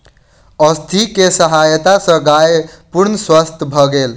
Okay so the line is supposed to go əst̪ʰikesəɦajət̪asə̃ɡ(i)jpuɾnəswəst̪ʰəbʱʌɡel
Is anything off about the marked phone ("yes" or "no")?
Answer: yes